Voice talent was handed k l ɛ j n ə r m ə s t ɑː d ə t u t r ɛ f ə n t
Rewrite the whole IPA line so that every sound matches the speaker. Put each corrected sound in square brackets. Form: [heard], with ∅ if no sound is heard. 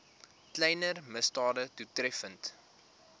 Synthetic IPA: k l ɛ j n ə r m ə s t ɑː d ə t u t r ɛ f ə n t